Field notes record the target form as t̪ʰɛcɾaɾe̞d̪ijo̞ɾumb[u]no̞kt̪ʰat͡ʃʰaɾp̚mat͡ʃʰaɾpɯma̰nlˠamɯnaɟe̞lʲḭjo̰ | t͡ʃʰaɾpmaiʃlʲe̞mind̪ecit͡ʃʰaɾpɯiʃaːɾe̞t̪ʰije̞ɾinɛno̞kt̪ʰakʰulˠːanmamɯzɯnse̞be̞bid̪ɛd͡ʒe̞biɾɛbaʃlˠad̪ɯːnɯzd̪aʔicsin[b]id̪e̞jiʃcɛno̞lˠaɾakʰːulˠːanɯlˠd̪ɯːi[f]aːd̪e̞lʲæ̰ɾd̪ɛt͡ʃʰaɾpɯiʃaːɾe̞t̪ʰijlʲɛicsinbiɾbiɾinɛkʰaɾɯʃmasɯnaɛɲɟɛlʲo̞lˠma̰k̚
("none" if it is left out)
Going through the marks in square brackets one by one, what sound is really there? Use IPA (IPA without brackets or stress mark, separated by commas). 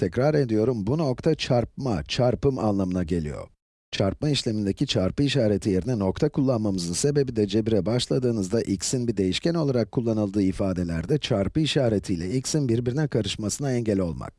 u, b, f